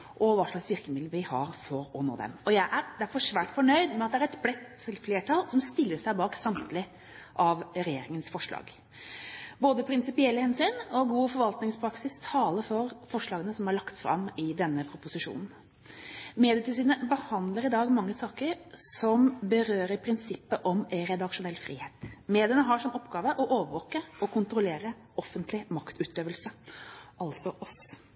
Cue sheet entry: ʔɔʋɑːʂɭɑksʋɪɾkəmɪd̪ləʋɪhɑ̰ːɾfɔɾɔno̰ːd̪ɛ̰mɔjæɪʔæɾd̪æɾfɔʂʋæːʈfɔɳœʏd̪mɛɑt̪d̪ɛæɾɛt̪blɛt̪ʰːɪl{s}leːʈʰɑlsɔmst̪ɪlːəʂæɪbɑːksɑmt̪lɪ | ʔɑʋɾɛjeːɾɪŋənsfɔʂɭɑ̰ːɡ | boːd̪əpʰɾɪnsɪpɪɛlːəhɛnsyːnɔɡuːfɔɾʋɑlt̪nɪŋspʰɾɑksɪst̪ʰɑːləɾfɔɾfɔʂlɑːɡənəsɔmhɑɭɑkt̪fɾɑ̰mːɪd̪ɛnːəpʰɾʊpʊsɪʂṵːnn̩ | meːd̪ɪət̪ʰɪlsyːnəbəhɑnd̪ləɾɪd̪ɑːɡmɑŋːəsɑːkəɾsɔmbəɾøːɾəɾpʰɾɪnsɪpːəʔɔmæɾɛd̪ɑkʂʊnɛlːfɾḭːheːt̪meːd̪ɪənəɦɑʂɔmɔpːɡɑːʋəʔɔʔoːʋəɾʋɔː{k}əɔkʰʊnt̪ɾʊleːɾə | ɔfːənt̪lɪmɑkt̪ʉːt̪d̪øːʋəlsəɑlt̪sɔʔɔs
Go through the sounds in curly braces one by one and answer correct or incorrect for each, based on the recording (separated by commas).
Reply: incorrect, correct